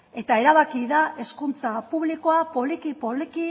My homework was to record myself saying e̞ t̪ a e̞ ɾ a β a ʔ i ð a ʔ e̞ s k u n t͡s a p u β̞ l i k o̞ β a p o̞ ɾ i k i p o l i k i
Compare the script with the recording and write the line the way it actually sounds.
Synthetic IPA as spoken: e̞ t̪ a e̞ ɾ a β a k i ð a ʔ e̞ s k u n t͡s a p u β̞ l i k o̞ a p o̞ l i k i p o l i k i